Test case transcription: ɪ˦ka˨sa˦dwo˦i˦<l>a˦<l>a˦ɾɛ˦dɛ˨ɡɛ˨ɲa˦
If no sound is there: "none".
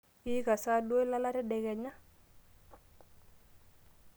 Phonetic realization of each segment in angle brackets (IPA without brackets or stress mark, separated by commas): l, l